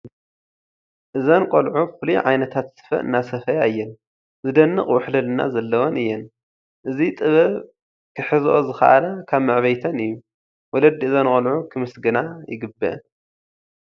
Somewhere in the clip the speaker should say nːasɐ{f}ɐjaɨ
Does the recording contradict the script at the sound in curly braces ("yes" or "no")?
no